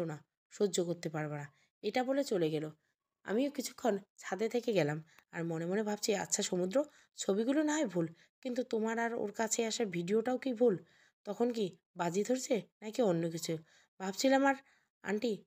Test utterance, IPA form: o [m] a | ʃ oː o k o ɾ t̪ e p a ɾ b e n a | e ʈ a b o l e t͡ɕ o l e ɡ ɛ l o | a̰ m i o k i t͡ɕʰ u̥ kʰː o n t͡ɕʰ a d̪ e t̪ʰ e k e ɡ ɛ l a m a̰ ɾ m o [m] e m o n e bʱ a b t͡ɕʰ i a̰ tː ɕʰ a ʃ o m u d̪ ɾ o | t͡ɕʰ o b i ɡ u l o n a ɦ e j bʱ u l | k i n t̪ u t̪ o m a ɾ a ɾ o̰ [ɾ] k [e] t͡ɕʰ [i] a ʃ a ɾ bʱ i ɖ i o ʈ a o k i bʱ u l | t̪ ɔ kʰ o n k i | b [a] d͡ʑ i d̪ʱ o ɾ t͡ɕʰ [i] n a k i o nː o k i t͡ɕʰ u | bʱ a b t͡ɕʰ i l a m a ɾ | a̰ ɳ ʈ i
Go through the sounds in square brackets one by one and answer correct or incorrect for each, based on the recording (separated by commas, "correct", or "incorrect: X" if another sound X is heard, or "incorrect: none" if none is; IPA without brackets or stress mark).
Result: incorrect: n, incorrect: n, correct, incorrect: a, incorrect: e, correct, incorrect: e